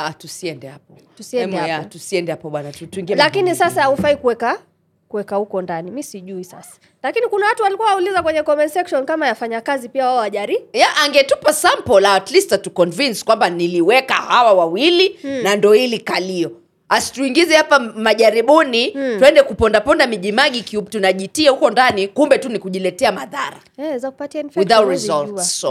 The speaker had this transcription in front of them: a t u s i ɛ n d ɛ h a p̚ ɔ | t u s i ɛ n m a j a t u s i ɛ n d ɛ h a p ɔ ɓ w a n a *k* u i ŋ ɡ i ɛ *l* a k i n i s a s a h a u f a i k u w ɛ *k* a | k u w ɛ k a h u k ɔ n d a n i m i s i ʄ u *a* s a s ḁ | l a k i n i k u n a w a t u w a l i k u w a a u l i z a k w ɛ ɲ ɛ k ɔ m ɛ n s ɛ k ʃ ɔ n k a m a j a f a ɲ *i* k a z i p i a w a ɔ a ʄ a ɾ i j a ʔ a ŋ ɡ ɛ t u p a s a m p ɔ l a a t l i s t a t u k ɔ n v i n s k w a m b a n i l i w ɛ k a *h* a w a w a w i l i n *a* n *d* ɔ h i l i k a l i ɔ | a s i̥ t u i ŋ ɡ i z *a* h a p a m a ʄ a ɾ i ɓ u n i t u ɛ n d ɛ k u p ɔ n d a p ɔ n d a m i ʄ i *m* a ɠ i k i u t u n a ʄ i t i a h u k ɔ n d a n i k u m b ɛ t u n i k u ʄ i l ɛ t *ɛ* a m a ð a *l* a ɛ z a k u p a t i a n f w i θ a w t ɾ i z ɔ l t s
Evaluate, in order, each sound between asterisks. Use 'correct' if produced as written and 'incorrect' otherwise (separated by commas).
incorrect, correct, correct, incorrect, incorrect, correct, correct, correct, incorrect, correct, correct, incorrect